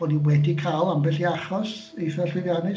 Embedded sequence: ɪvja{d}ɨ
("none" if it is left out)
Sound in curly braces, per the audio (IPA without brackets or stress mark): n